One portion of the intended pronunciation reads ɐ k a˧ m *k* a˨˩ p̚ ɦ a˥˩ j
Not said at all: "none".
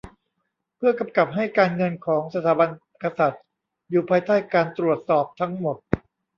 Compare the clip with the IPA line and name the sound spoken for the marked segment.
k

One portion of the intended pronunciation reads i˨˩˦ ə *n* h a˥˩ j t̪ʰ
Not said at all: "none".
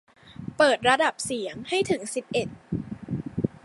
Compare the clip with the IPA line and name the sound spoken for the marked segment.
ŋ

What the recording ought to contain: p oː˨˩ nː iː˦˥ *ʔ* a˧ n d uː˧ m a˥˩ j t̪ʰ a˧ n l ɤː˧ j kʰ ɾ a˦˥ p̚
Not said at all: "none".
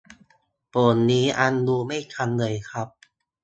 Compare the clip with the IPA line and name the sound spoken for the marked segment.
ʔ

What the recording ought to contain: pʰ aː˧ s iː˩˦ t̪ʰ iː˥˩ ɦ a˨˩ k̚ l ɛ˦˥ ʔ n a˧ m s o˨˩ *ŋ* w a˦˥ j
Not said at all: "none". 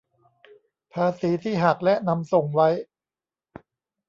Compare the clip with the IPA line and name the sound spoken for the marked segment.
ŋ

